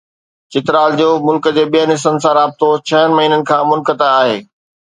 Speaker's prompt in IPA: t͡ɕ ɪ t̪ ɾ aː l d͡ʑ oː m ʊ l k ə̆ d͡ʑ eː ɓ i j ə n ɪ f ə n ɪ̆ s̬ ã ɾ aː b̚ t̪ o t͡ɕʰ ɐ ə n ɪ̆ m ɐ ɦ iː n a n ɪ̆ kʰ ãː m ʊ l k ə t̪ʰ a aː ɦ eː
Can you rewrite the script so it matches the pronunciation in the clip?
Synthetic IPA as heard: t͡ɕ ɪ t̪ ɾ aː l d͡ʑ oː m ʊ l k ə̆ d͡ʑ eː ɓ i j ə n ɪ s ə n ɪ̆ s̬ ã ɾ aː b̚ t̪ o t͡ɕʰ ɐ ə n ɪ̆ m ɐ ɦ iː n ə n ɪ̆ kʰ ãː m ʊ l k ə t̪ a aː ɦ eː